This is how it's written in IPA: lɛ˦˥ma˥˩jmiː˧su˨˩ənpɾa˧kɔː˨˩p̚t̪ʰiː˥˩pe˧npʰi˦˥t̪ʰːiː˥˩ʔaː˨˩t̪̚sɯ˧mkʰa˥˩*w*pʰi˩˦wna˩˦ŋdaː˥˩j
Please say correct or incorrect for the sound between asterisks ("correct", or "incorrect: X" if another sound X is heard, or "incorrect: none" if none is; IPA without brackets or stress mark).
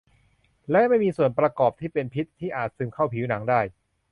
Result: correct